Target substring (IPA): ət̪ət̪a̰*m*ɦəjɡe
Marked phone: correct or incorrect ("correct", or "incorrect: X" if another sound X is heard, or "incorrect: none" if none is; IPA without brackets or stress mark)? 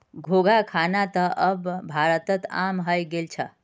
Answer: correct